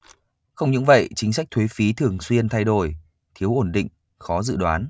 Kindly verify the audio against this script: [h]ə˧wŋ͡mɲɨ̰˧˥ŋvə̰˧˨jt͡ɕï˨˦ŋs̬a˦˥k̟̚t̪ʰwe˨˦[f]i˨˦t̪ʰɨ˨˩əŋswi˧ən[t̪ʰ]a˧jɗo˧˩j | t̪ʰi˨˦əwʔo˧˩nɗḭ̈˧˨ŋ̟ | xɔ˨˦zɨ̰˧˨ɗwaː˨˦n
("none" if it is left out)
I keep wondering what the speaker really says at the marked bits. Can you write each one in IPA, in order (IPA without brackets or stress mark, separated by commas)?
x, f, t̪ʰ